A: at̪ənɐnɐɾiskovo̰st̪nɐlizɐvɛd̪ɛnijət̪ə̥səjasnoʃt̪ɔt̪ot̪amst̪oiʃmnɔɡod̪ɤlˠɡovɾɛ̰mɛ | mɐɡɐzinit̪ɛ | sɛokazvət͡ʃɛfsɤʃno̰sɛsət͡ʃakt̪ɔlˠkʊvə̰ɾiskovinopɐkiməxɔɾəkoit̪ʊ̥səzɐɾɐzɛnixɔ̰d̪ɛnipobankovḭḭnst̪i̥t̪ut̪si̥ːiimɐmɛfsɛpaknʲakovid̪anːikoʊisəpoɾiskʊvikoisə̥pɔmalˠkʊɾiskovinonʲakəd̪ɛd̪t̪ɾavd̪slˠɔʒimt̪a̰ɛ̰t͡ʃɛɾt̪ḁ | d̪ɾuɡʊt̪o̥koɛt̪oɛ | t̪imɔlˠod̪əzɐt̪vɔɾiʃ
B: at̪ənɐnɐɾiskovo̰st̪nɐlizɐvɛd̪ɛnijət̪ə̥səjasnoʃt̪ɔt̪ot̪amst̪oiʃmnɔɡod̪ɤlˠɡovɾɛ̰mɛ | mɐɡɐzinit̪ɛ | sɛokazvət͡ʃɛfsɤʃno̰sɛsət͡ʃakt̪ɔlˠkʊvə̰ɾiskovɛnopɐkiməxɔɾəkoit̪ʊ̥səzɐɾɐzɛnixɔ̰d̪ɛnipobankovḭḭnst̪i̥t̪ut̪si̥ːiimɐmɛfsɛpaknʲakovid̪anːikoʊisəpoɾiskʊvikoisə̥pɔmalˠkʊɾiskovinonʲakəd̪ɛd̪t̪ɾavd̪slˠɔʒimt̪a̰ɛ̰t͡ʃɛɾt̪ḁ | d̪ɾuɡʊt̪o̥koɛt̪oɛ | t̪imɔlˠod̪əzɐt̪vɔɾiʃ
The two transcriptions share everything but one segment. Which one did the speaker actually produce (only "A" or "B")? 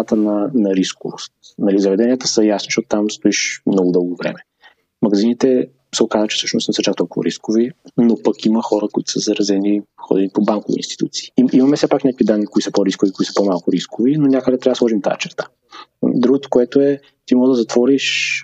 A